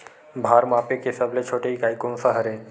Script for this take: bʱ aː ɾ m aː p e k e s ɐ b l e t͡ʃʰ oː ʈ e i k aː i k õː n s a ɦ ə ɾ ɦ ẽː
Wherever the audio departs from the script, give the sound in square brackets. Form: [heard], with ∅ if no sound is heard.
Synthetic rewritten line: bʱ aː ɾ m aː p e k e s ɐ b l e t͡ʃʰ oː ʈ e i k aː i k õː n s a ɦ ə ɾ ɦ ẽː